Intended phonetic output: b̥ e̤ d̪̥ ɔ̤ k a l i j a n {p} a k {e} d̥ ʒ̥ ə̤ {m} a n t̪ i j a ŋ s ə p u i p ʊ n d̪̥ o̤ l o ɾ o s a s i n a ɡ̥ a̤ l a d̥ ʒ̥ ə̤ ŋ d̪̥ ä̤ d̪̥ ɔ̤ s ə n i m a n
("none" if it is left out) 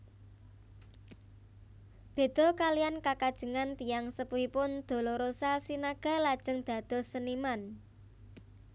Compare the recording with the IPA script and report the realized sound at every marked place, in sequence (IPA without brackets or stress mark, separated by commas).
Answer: k, a, ŋ